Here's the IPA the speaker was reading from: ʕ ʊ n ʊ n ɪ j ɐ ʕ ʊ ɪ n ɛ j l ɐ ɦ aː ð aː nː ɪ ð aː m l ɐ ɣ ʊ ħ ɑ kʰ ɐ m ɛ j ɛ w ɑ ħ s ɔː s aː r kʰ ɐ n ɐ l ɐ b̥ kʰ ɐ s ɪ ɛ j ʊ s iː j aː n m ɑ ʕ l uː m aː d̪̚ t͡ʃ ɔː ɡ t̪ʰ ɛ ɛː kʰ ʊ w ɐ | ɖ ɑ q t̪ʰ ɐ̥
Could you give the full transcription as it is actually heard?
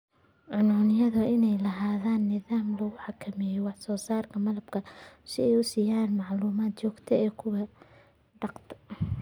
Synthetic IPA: ʕ ʊ n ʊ n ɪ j ɐ ð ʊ ɪ n ɛ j l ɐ ɦ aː ð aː nː ɪ ð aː m l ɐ ɣ ʊ ħ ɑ kʰ ɐ m ɛ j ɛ w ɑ ħ s ɔː s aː r kʰ ɐ m ɐ l ɐ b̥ kʰ ɐ s ɪ ɛ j ʊ s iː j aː n m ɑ ʕ l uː m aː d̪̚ t͡ʃ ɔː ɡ t̪ʰ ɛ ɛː kʰ ʊ w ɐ | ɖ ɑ q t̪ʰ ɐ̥

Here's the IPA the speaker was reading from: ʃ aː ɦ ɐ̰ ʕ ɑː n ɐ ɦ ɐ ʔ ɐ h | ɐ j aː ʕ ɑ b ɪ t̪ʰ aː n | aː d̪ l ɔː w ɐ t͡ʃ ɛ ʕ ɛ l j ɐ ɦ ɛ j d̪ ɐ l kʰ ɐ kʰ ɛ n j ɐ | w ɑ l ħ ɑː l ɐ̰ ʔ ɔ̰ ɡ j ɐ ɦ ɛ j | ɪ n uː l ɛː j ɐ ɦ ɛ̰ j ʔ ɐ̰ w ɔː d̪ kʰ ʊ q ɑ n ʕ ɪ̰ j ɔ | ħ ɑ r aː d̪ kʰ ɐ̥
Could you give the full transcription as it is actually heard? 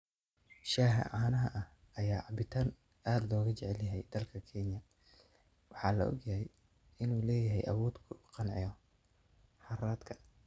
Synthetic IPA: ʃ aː ɦ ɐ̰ ʕ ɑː n ɐ ɦ ɐ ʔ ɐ h | ɐ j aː ʕ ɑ b ɪ t̪ʰ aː n | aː d̪ l ɔː ɣ ɐ t͡ʃ ɛ ʕ ɛ l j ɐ ɦ ɛ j d̪ ɐ l kʰ ɐ kʰ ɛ n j ɐ | w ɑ ħ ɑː l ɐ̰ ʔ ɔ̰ ɡ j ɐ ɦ ɛ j | ɪ n uː l ɛː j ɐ ɦ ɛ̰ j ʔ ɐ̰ w ɔː d̪ kʰ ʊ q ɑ n ʕ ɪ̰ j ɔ | ħ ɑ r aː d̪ kʰ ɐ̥

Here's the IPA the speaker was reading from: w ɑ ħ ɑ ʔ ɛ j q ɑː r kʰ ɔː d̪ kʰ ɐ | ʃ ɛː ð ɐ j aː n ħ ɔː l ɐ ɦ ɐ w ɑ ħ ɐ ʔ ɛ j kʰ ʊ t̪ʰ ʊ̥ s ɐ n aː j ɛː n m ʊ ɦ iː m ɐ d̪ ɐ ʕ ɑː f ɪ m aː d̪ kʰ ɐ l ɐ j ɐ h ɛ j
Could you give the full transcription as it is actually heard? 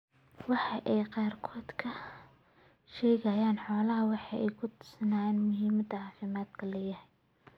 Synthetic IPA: w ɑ ħ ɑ ʔ ɛ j q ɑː r kʰ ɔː d̪ kʰ ɐ | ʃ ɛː ɣ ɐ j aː n ħ ɔː l ɐ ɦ ɐ w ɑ ħ ɑ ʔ ɛ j kʰ ʊ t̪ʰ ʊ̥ s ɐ n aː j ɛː n m ʊ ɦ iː m ɐ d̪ ɐ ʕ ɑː f ɪ m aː d̪ kʰ ɐ l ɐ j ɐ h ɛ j

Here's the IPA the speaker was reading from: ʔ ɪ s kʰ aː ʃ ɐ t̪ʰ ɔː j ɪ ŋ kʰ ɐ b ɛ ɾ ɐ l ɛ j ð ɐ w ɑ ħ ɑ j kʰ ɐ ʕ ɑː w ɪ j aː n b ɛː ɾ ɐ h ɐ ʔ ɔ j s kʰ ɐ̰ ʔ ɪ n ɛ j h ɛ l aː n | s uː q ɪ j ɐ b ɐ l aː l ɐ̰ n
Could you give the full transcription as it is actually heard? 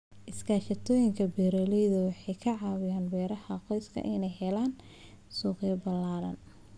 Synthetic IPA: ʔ ɪ s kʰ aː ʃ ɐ t̪ʰ ɔː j ɪ ŋ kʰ ɐ b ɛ ɾ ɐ l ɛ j ð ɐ w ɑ ħ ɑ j kʰ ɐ ʕ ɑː w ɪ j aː n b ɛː ɾ ɐ h ɐ q ɔ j s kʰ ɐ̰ ʔ ɪ n ɛ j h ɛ l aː n | s uː q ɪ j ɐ b ɐ l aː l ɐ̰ n

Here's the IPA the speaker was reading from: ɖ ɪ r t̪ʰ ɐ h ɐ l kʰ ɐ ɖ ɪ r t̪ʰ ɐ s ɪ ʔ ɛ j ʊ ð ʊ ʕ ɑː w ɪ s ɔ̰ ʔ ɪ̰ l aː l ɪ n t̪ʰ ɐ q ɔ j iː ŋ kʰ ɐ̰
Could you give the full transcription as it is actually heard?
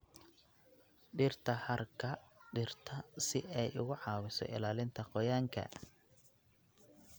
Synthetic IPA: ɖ ɪ r t̪ʰ ɐ h ɐ r kʰ ɐ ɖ ɪ r t̪ʰ ɐ s ɪ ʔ ɛ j ʊ ɣ ʊ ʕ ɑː w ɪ s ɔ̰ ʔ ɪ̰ l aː l ɪ n t̪ʰ ɐ q ɔ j aː ŋ kʰ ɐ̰

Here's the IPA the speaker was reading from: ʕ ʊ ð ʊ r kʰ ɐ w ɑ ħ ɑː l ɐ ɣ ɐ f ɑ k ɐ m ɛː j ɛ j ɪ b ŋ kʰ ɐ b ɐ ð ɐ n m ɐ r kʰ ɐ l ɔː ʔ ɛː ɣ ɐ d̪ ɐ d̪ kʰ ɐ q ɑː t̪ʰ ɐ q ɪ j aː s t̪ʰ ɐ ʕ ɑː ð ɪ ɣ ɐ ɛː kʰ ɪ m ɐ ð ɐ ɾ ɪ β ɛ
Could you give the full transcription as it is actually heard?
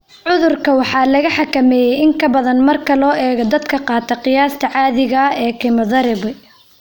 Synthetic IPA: ʕ ʊ ð ʊ r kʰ ɐ w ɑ ħ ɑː l ɐ ɣ ɐ ħ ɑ k ɐ m ɛː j ɛ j ɪ ŋ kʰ ɐ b ɐ ð ɐ n m ɐ r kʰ ɐ l ɔː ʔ ɛː ɣ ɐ d̪ ɐ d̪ kʰ ɐ q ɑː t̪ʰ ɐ q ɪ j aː s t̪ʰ ɐ ʕ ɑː ð ɪ ɣ ɐ ɛː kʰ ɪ m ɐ ð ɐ ɾ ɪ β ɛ

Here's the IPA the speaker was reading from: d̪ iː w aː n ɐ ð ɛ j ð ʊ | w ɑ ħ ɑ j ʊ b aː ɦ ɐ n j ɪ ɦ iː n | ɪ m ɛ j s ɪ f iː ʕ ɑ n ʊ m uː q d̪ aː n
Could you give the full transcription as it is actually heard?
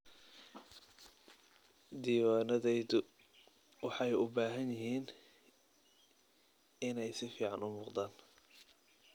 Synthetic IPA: d̪ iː w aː n ɐ ð ɛ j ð ʊ | w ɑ ħ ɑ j ʊ b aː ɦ ɐ n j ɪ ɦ iː n | ɪ n ɛ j s ɪ f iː ʕ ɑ n ʊ m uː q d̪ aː n

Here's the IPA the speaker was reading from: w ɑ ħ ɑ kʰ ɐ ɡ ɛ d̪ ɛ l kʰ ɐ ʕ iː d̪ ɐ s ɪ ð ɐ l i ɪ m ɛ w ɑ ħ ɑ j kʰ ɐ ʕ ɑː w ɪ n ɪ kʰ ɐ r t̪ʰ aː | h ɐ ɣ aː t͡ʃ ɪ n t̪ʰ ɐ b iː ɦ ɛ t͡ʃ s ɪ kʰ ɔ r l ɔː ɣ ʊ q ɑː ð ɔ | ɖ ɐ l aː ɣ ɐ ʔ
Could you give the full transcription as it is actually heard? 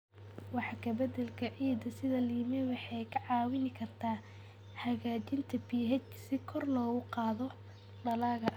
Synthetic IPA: w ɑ ħ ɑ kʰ ɐ b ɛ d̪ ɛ l kʰ ɐ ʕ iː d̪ ɐ s ɪ ð ɐ l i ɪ m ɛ w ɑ ħ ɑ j kʰ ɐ ʕ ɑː w ɪ n ɪ kʰ ɐ r t̪ʰ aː | h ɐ ɣ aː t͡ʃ ɪ n t̪ʰ ɐ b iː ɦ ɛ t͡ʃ s ɪ kʰ ɔ r l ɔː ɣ ʊ q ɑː ð ɔ | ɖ ɐ l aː ɣ ɐ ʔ

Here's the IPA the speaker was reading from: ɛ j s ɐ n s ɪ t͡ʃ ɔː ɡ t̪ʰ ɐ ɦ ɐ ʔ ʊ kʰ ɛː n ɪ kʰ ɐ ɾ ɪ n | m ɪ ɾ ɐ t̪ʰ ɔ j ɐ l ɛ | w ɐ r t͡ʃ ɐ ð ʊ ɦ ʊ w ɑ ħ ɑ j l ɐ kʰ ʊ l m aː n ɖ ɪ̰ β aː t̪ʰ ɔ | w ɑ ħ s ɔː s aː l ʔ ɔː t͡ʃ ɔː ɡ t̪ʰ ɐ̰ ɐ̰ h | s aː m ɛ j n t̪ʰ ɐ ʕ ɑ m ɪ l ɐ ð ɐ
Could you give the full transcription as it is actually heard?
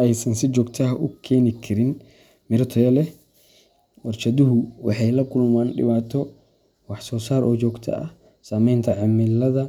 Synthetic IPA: ɛ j s ɐ n s ɪ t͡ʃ ɔː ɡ t̪ʰ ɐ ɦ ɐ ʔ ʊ kʰ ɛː n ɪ kʰ ɐ ɾ ɪ n | m ɪ ɾ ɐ t̪ʰ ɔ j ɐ l ɛ | w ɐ r t͡ʃ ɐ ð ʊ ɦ ʊ w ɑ ħ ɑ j l ɐ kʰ ʊ l m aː n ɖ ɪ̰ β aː t̪ʰ ɔ | w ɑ ħ s ɔː s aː ɾ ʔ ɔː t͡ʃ ɔː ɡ t̪ʰ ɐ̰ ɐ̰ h | s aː m ɛ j n t̪ʰ ɐ ʕ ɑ m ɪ l ɐ ð ɐ

